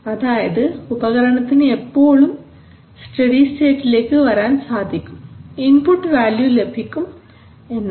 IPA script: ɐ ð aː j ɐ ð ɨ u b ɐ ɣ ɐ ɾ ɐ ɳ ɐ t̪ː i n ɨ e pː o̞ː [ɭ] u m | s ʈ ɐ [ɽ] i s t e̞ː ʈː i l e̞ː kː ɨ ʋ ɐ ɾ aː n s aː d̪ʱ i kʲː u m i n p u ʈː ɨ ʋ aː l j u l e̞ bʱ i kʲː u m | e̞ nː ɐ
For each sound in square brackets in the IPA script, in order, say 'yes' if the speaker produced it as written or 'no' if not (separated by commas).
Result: yes, yes